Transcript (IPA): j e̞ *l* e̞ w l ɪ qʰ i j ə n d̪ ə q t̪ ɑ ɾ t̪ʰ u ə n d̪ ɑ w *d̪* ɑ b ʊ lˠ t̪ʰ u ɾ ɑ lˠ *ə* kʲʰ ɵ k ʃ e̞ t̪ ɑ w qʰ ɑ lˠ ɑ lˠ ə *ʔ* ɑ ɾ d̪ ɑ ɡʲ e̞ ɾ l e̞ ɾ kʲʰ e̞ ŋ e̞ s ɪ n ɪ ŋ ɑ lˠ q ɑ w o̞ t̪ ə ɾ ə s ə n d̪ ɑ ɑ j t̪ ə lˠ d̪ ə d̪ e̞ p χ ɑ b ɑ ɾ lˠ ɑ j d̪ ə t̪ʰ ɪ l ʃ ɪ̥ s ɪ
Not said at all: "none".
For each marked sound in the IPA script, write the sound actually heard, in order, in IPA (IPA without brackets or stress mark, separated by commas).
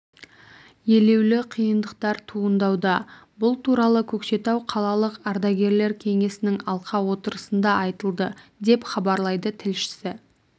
l, d̪, ə, q